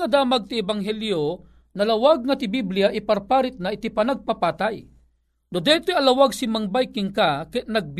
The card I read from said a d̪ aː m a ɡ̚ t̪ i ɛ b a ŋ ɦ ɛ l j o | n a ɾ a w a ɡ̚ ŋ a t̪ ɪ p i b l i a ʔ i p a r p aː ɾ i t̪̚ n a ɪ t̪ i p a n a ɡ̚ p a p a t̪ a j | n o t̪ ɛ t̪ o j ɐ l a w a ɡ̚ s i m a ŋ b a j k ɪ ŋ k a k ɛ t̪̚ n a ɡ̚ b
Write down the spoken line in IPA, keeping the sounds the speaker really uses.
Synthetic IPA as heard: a d̪ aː m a ɡ̚ t̪ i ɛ b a ŋ ɦ ɛ l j o | n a l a w a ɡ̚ ŋ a t̪ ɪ b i b l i a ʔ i p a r p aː ɾ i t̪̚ n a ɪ t̪ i p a n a ɡ̚ p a p a t̪ a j | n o d̪ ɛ t̪ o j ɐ l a w a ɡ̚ s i m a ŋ b a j k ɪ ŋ k a k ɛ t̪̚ n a ɡ̚ b